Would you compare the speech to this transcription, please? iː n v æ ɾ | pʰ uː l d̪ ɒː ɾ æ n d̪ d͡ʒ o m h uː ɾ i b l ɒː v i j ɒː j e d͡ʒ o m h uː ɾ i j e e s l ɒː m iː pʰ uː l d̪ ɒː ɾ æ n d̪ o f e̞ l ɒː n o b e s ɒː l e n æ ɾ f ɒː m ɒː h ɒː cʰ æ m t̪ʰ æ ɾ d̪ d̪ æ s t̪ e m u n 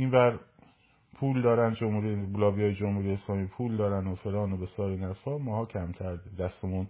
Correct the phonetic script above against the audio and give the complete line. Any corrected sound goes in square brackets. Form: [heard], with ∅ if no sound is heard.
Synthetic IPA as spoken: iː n v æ ɾ | pʰ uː l d̪ ɒː ɾ æ n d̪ d͡ʒ o m h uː ɾ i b l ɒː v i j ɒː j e d͡ʒ o m h uː ɾ i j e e s l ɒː m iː pʰ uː l d̪ ɒː ɾ æ n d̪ o f e̞ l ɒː n o b e s ɒː [ɾ] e n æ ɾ f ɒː m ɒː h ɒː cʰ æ m t̪ʰ æ ɾ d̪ d̪ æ s t̪ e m u n